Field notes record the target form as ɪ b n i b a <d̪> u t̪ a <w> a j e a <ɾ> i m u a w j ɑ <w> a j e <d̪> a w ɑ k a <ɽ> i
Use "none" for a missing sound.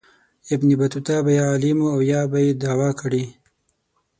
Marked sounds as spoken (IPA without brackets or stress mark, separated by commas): t̪, b, l, b, d̪, ɽ